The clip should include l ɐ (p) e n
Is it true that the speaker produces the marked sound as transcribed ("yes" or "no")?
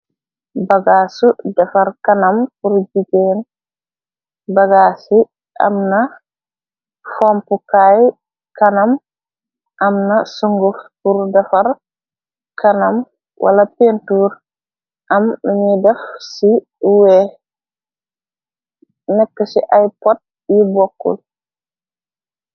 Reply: yes